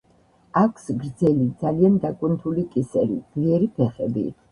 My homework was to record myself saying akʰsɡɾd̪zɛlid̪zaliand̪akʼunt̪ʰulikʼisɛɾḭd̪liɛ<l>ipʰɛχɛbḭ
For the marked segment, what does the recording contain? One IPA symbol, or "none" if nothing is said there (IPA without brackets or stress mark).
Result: ɾ